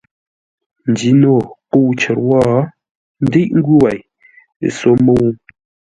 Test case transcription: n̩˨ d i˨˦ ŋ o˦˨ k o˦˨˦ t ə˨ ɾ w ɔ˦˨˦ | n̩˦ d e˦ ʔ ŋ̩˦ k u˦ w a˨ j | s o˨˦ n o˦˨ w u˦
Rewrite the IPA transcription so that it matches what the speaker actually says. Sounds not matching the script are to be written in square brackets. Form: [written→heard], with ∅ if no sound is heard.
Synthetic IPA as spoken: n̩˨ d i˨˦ [ŋ→n] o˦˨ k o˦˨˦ [t→t͡ʃ] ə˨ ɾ w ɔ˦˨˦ | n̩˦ d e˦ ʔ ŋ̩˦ [k→ɡ] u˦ w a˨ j | s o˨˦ [n→m] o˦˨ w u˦